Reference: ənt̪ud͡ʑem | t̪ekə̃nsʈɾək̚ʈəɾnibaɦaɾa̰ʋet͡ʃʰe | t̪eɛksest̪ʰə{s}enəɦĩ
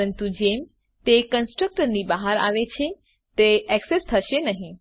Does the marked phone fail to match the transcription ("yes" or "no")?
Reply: yes